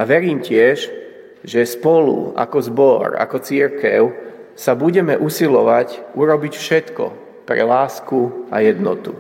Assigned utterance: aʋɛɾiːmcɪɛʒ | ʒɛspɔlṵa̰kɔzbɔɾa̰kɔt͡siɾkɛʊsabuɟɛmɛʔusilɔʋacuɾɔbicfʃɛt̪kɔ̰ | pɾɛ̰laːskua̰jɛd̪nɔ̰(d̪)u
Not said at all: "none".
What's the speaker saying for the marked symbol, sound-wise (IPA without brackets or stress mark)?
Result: t̪